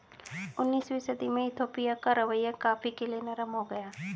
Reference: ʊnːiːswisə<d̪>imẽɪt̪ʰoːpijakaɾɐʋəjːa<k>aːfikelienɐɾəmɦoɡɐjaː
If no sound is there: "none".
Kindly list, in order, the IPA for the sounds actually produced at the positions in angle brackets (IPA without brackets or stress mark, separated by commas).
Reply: d̪, k